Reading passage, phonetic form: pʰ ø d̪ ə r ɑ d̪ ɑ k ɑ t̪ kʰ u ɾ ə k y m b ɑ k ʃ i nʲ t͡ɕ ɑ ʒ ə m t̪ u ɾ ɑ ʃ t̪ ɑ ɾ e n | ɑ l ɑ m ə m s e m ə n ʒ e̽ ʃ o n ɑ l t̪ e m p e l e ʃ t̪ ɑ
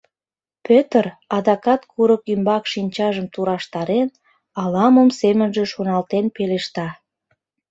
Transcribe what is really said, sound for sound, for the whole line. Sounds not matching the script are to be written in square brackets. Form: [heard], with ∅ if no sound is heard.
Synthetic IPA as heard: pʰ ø [t̪] ə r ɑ d̪ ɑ k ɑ t̪ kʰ u ɾ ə k y m b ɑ k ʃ i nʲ t͡ɕ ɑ ʒ ə m t̪ u ɾ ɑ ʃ t̪ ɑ ɾ e n | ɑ l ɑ m ə m s e m ə n ʒ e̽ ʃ o n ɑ l t̪ e [n] p e l e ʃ t̪ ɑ